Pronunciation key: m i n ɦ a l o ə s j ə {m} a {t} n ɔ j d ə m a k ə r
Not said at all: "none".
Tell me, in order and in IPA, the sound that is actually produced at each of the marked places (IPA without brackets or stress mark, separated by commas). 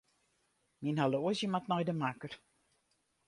m, t